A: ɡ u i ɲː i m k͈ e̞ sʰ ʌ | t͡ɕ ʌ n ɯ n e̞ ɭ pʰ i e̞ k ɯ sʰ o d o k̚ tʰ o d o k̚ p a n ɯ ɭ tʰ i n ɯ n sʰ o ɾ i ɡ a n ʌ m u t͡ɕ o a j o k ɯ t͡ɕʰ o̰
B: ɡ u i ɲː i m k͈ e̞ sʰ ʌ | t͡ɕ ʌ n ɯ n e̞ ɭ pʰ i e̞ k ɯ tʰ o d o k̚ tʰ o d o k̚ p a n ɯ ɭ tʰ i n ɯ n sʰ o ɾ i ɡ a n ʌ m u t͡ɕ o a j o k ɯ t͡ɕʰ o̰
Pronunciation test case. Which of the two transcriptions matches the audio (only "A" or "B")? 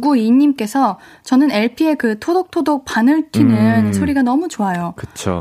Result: B